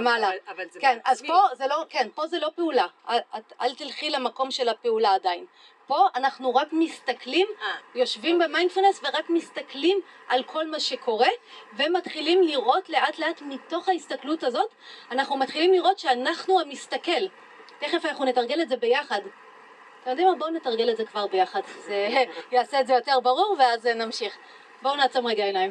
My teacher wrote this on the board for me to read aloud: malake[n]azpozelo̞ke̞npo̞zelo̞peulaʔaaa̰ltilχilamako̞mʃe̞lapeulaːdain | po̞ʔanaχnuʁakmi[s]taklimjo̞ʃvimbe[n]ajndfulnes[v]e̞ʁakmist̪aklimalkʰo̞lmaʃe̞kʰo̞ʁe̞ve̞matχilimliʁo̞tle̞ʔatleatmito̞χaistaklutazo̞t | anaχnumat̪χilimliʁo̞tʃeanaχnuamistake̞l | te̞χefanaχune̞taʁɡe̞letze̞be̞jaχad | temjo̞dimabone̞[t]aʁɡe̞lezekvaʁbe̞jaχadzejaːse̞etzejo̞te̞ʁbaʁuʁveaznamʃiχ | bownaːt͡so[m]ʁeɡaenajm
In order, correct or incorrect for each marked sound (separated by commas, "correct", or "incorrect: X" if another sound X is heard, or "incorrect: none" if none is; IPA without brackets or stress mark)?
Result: correct, correct, incorrect: m, correct, correct, correct